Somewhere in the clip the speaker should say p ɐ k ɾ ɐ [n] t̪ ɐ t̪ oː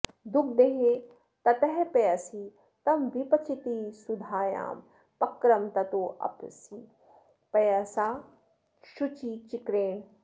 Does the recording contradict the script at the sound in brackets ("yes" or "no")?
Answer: yes